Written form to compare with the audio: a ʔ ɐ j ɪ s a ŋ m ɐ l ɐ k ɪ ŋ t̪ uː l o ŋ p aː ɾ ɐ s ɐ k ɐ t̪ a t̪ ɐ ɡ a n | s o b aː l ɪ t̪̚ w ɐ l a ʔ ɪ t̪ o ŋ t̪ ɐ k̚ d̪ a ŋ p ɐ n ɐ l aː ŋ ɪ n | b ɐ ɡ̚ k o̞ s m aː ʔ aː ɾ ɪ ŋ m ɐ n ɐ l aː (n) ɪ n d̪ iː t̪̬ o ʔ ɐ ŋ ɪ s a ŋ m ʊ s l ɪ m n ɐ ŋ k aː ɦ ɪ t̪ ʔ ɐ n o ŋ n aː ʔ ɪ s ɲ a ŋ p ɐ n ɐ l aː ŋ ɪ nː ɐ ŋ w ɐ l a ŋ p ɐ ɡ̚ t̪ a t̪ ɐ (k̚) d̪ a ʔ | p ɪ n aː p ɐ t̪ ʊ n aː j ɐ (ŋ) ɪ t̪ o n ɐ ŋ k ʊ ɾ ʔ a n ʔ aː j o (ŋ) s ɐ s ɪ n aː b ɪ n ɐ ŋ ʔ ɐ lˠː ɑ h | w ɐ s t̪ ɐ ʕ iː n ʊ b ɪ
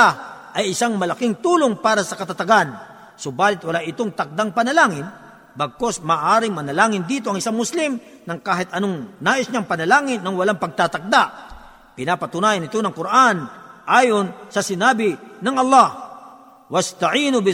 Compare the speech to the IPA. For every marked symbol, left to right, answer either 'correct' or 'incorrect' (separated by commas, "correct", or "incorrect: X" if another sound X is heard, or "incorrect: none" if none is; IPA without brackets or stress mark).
incorrect: ŋ, correct, incorrect: n, incorrect: n